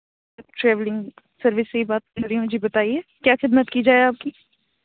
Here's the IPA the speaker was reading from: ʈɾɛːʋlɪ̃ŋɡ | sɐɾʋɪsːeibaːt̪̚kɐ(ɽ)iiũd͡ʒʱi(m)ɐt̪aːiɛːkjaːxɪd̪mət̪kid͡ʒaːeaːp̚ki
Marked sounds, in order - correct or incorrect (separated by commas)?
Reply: incorrect, incorrect